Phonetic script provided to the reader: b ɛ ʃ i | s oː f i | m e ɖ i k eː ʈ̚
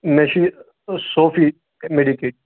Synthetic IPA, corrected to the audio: m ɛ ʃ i | s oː f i | m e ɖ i k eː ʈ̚